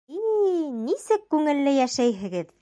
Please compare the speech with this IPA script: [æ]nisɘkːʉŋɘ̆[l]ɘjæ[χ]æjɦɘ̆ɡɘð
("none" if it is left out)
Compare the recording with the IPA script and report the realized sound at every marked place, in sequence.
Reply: i, lː, ʃ

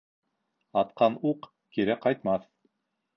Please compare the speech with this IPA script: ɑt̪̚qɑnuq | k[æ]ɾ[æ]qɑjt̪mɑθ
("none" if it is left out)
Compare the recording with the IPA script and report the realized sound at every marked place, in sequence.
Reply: i, æ

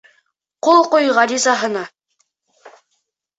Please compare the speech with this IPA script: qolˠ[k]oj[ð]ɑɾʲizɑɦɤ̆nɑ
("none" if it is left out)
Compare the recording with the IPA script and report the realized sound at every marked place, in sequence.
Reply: q, ʁ

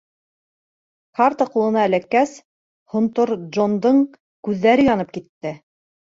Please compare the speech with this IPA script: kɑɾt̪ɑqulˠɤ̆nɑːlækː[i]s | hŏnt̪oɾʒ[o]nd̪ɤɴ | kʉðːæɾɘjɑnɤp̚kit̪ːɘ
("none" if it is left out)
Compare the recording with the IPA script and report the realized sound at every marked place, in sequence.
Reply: æ, o

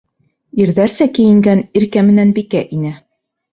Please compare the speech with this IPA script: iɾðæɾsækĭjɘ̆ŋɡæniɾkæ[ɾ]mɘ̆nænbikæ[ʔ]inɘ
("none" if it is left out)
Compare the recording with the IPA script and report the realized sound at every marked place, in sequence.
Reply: none, ʔ

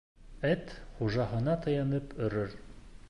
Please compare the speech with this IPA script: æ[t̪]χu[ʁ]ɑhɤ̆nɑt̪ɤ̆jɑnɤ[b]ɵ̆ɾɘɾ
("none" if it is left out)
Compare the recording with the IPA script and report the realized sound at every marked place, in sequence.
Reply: t̪, ʒ, p

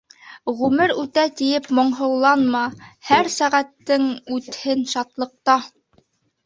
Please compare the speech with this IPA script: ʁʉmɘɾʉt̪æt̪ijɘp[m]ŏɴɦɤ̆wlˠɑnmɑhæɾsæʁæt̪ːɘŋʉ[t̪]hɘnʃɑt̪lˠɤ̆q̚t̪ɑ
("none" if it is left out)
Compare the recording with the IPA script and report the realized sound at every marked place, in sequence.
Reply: m, t̪

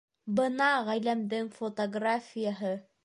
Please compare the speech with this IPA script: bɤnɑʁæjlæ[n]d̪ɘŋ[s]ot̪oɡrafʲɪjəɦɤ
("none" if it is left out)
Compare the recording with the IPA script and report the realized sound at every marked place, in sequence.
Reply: m, f

